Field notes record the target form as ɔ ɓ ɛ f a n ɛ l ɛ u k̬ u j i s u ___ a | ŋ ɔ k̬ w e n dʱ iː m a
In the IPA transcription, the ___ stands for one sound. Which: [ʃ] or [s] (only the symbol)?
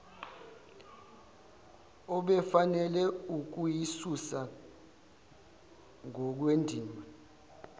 s